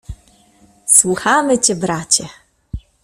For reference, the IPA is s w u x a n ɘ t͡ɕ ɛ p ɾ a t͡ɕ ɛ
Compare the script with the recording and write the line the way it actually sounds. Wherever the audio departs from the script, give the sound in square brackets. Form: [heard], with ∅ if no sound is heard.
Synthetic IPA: s w u x a [m] ɘ t͡ɕ ɛ [b] ɾ a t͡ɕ ɛ